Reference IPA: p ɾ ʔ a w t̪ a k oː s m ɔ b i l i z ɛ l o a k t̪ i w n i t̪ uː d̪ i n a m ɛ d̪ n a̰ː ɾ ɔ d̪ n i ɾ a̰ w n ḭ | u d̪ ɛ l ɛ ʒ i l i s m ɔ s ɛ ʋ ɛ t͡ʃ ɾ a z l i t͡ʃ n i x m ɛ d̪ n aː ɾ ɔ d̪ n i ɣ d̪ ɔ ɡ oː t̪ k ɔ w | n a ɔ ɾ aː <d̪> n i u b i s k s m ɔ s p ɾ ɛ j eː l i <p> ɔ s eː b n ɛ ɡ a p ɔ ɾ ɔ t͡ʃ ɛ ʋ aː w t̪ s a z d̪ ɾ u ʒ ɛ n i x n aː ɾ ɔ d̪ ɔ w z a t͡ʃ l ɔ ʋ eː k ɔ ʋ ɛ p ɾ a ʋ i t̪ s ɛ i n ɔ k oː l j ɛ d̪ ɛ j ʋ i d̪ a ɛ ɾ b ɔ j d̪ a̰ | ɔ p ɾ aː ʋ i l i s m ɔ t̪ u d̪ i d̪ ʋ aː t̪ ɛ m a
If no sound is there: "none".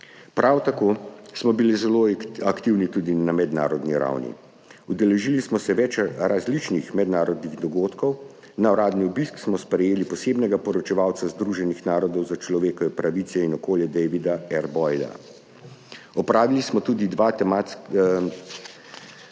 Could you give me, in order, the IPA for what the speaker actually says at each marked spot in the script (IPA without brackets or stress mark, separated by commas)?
d̪, p